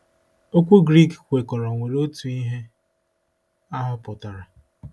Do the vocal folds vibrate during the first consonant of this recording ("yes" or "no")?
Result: no